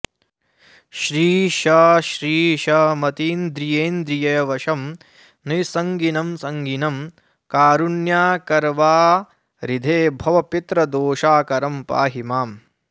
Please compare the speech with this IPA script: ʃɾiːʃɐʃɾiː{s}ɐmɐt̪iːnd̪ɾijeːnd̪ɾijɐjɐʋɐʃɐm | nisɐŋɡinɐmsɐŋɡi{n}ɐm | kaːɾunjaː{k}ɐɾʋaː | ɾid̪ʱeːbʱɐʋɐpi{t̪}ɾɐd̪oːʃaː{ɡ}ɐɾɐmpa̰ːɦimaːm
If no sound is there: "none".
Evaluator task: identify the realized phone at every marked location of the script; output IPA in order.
ʃ, n, k, t̪, k

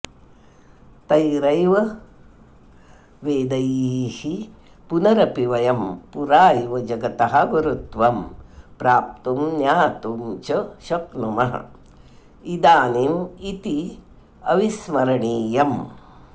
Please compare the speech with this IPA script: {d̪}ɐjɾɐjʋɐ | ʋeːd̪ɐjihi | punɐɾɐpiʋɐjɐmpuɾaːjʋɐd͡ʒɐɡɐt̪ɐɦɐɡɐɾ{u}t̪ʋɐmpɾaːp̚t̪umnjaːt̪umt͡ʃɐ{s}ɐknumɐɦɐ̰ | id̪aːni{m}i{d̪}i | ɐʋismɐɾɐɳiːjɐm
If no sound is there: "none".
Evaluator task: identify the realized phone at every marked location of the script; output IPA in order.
t̪, u, ʃ, m, t̪

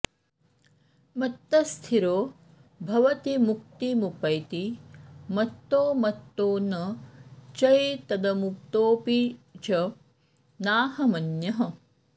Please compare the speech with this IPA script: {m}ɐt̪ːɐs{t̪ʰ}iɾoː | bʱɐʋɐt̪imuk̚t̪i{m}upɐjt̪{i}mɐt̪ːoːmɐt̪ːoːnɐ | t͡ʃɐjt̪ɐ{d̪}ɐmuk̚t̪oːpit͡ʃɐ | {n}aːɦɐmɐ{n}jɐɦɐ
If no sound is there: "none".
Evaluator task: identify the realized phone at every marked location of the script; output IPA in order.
m, t̪ʰ, m, i, d̪, n, n

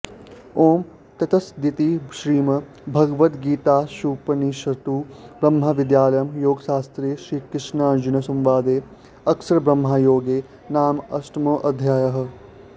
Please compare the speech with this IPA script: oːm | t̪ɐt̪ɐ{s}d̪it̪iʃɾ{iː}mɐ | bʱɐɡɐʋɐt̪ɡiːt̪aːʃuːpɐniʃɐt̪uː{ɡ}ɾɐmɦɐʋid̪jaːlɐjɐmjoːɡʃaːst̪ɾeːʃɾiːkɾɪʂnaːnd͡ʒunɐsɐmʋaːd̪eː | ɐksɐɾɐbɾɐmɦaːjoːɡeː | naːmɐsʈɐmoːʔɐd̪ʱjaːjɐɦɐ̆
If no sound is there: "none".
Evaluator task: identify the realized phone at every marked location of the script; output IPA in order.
s, iː, b

